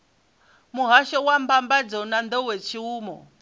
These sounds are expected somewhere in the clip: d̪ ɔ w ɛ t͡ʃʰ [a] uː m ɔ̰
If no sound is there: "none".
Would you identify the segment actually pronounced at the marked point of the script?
i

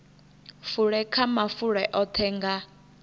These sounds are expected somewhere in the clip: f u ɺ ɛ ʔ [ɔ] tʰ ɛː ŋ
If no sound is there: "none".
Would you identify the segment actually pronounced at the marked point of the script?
ɔ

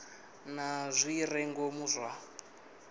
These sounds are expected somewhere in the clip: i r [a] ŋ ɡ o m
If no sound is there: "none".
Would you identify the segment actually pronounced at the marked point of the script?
ɛ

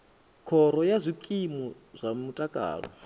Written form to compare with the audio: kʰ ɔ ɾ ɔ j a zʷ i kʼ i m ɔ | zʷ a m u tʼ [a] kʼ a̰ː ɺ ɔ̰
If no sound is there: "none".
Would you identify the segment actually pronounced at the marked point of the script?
a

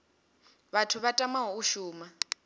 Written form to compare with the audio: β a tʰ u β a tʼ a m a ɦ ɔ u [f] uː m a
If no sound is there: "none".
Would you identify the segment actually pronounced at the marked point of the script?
ʃ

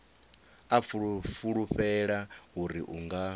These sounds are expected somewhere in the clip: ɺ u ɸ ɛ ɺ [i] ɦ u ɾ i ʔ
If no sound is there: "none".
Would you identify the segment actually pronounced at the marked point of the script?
a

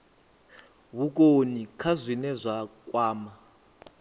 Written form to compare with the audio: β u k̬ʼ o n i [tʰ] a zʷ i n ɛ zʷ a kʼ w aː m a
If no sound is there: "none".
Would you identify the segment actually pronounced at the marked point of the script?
kʰ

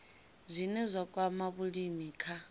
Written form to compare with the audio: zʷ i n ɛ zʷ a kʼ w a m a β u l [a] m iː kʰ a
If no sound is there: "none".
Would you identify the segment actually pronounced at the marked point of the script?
i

